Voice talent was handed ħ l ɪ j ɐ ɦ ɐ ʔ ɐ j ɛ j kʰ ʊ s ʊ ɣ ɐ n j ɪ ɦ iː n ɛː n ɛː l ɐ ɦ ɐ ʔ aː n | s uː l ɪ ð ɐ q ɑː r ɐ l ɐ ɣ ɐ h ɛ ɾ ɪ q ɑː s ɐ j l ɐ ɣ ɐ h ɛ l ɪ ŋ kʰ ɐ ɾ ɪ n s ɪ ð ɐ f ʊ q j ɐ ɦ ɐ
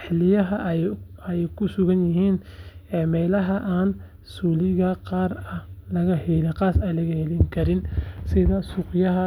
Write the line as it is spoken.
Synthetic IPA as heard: ħ l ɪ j ɐ ɦ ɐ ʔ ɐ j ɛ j kʰ ʊ s ʊ ɣ ɐ n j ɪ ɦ iː n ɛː m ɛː l ɐ ɦ ɐ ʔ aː n | s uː l ɪ ɣ ɐ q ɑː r ɐ l ɐ ɣ ɐ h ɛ l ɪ q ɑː s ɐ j l ɐ ɣ ɐ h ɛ l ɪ ŋ kʰ ɐ ɾ ɪ n s ɪ ð ɐ s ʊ q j ɐ ɦ ɐ